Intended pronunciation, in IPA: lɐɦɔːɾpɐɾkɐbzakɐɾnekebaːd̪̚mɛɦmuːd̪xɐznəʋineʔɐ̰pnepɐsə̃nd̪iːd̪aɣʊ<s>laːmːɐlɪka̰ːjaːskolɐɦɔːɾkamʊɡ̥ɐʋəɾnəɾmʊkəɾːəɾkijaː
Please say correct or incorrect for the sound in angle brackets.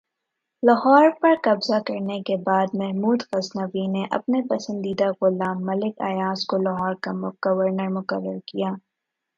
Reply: incorrect